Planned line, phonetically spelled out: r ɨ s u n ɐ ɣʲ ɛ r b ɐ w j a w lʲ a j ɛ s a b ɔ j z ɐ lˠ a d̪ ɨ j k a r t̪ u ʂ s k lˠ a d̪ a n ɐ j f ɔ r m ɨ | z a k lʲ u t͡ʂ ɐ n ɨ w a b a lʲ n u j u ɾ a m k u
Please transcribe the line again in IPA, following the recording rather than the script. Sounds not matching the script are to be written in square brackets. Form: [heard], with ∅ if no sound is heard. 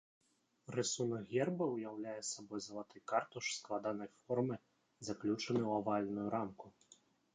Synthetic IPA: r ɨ s u n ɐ ɣʲ ɛ r b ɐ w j a w lʲ a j ɛ s a b ɔ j z ɐ lˠ a [t̪] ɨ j k a r t̪ u ʂ s k lˠ a d̪ a n ɐ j f ɔ r m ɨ | z a k lʲ u t͡ʂ ɐ n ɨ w a [v] a lʲ n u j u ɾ a m k u

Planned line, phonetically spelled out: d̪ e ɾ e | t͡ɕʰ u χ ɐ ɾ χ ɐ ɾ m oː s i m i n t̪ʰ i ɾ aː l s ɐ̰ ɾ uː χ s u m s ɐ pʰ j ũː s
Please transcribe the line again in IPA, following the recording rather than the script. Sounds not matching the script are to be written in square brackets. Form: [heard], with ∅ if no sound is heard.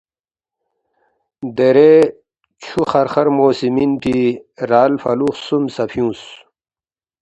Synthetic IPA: d̪ e ɾ e | t͡ɕʰ u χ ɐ ɾ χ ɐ ɾ m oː s i m i n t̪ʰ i ɾ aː l [f] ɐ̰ [l] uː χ s u m s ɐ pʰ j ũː s

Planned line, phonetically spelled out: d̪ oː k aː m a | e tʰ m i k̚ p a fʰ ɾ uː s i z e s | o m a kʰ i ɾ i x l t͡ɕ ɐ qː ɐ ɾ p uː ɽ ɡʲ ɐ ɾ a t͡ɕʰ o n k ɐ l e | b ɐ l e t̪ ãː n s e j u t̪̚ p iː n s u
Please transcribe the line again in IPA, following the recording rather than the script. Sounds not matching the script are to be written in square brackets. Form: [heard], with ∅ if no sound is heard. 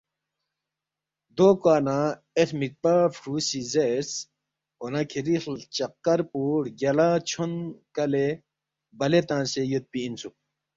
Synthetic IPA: d̪ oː k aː [n] a | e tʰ m i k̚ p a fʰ ɾ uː s i z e s | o [n] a kʰ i ɾ i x l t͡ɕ ɐ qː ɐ ɾ p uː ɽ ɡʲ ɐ [l] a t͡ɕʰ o n k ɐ l e | b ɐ l e t̪ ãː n s e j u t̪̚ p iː n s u

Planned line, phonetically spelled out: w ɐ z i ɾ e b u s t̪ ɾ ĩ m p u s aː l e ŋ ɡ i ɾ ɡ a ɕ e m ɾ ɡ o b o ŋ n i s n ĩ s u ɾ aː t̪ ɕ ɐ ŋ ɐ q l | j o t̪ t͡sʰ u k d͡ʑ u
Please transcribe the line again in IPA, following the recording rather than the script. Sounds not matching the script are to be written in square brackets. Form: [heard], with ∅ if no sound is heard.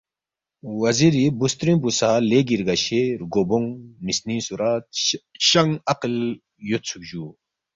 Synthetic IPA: w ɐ z i ɾ [i] b u s t̪ ɾ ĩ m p u s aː l e [∅] ɡ i ɾ ɡ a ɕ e [∅] ɾ ɡ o b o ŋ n i s n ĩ s u ɾ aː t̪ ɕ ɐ ŋ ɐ q l | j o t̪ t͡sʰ u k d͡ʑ u

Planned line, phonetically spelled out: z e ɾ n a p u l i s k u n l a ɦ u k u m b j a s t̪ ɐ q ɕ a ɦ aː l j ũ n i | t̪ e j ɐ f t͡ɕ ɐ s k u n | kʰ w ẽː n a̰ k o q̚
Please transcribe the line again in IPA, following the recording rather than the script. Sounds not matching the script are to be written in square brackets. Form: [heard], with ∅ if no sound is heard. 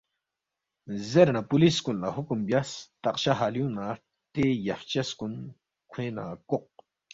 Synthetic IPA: z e ɾ n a p u l i s k u n l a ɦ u k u m b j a s t̪ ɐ q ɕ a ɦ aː l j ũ n [a] | t̪ e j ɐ f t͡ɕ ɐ s k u n | kʰ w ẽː n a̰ k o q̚

